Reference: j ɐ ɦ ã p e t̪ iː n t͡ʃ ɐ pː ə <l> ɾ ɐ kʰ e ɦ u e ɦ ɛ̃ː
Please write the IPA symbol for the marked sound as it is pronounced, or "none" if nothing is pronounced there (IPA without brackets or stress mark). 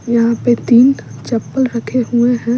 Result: l